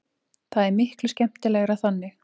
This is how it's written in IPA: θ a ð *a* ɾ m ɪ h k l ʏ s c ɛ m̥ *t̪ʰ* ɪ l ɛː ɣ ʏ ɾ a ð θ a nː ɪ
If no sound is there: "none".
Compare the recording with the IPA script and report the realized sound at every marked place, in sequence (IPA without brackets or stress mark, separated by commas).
ɛ, t̪